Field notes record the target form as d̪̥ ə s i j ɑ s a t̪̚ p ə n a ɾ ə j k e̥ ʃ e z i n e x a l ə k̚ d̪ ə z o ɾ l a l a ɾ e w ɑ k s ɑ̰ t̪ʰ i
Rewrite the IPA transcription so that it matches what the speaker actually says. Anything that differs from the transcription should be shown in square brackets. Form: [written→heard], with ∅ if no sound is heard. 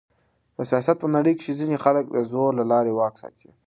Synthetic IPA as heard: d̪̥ ə s i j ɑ s a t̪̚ p ə n a [ɾ→ɽ] ə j k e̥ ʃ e z i n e x a l ə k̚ d̪ ə z o ɾ l a l [a→ɑ] ɾ e w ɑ k s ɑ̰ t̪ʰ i